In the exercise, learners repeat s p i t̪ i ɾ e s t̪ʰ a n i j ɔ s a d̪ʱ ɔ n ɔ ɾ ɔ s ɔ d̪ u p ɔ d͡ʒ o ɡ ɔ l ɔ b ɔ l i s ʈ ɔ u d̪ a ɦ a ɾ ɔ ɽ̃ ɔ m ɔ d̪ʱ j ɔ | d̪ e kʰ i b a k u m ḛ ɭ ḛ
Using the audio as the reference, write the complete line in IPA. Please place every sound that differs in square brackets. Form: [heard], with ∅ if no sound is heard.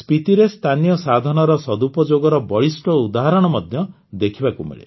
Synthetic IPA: s p i t̪ i ɾ e s t̪ʰ a n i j ɔ s a d̪ʱ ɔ n ɔ ɾ ɔ s ɔ d̪ u p ɔ d͡ʒ o ɡ ɔ [ɾ] ɔ b ɔ [ɭ] i s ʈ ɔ u d̪ a ɦ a ɾ ɔ ɽ̃ ɔ m ɔ d̪ʱ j ɔ | d̪ e kʰ i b a k u m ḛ ɭ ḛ